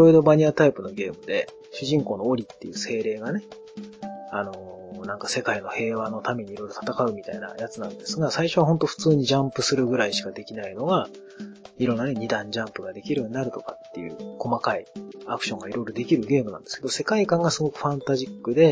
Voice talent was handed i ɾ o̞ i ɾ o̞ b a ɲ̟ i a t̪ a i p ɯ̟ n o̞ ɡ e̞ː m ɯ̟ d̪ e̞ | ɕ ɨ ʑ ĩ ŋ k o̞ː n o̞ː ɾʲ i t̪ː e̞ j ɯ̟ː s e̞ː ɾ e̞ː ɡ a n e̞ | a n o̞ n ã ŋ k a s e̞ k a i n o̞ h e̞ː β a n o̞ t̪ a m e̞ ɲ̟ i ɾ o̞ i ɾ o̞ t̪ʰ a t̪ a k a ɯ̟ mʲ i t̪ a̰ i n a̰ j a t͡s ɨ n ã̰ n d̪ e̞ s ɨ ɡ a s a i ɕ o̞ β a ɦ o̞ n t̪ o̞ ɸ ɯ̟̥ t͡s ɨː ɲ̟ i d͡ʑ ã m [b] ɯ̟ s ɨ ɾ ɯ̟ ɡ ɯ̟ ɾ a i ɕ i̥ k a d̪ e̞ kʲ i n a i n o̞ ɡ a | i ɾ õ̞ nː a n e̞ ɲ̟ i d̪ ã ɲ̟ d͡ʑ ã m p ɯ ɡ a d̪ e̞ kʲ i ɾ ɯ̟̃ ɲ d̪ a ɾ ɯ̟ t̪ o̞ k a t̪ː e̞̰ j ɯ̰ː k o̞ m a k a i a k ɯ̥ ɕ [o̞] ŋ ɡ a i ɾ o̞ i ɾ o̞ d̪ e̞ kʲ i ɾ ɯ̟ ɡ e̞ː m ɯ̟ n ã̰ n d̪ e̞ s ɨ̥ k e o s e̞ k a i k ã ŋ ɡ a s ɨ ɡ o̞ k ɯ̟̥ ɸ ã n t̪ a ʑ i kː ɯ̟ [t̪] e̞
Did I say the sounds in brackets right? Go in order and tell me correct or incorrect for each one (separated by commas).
incorrect, incorrect, incorrect